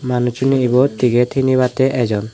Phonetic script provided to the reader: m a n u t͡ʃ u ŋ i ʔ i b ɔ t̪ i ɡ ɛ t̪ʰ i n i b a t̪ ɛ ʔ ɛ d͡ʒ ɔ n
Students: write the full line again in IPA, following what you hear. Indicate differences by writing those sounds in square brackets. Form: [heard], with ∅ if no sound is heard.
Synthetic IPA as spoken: m a n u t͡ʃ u [n] i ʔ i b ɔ t̪ i ɡ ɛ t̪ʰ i n i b a t̪ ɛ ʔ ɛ d͡ʒ ɔ n

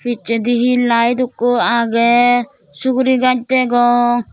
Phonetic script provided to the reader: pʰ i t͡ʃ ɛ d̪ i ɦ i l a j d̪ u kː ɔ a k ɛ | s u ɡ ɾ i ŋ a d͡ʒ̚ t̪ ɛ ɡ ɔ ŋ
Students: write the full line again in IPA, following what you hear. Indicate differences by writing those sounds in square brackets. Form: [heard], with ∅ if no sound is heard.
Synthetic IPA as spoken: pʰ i t͡ʃ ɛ d̪ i ɦ i l a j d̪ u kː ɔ a [ɡ] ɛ | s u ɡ ɾ i [ɡ] a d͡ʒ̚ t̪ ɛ ɡ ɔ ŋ

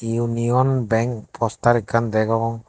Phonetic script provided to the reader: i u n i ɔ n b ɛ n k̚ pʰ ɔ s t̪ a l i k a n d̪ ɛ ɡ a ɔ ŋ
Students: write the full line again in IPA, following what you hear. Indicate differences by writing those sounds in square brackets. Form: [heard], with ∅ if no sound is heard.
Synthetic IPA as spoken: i u n i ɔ n b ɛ [ŋ] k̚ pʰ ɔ s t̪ a [ɾ] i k a n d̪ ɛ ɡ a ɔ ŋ

